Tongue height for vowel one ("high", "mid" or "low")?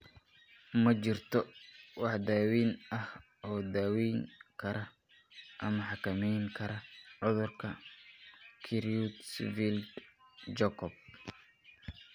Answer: low